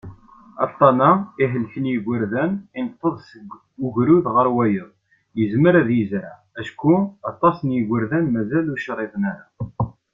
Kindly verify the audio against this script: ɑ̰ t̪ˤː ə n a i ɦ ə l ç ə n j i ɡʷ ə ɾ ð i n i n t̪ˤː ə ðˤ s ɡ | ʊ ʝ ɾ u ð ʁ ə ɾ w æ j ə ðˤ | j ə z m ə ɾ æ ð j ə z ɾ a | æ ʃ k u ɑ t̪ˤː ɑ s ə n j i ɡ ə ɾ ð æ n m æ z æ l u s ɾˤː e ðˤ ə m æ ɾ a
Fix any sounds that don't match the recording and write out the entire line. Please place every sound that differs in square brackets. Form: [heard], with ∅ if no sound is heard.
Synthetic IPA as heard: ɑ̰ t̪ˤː [ɑ] n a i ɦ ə l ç ə n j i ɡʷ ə ɾ ð [æ] n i n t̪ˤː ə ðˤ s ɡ | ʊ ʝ ɾ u ð ʁ ə ɾ w æ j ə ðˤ | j ə z m ə ɾ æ ð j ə z ɾ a | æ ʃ k u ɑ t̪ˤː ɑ s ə n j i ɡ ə ɾ ð æ n m æ z æ l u [ʃ] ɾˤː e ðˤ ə [n] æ ɾ a